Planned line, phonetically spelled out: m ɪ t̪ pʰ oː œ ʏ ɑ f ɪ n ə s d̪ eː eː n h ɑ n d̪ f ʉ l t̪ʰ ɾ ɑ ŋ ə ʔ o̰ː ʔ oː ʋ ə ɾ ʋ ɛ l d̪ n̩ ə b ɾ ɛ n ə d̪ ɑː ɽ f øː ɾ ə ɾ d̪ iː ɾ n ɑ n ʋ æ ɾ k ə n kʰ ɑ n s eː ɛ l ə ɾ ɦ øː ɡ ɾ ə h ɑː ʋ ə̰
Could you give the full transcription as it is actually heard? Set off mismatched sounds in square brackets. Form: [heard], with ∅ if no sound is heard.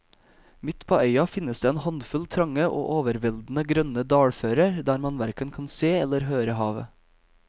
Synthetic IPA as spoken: m ɪ t̪ pʰ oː œ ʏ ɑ f ɪ n ə s d̪ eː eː n h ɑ n d̪ f ʉ l t̪ʰ ɾ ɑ ŋ ə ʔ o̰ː ʔ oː ʋ ə ɾ ʋ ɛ l d̪ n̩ ə [ɡ] ɾ [œ] n ə d̪ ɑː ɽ f øː ɾ ə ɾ d̪ [æː] ɾ [m] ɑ n ʋ æ ɾ k ə n kʰ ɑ n s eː ɛ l ə ɾ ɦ øː [∅] ɾ ə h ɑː ʋ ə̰

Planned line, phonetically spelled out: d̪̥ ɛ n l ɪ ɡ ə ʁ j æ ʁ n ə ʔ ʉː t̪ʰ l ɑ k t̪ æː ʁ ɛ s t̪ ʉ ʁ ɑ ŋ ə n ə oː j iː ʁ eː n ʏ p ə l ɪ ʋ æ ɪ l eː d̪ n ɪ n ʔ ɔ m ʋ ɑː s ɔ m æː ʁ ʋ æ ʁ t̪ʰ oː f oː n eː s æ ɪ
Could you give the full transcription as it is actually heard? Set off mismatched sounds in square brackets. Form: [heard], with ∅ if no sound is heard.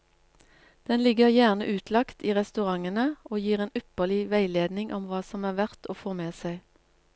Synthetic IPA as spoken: d̪̥ ɛ n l ɪ ɡ ə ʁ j æ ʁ n ə ʔ ʉː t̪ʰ l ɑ k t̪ [iː] ʁ ɛ s t̪ ʉ ʁ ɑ ŋ ə n ə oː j iː ʁ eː n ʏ p ə l ɪ ʋ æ ɪ l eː d̪ n ɪ [ŋ] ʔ ɔ m ʋ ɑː s ɔ m æː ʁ ʋ æ ʁ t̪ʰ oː f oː [m] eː s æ ɪ

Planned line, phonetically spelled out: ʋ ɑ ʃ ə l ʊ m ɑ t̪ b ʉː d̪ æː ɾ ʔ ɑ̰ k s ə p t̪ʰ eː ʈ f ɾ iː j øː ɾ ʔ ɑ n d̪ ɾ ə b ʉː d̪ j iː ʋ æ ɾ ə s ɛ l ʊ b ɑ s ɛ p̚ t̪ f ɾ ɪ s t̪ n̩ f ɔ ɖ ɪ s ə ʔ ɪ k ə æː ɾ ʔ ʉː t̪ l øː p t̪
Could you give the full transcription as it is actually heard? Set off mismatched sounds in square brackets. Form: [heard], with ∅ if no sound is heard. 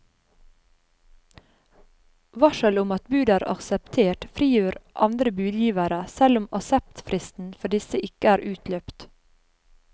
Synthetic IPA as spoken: ʋ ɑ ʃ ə l ʊ m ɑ t̪ b ʉː d̪ æː ɾ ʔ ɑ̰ k s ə p t̪ʰ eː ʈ f ɾ iː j øː ɾ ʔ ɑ n d̪ ɾ ə b ʉː d̪ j iː ʋ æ ɾ ə s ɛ l ʊ [m] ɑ s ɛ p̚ t̪ f ɾ ɪ s t̪ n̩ f ɔ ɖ ɪ s ə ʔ ɪ k ə æː ɾ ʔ ʉː t̪ l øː p t̪

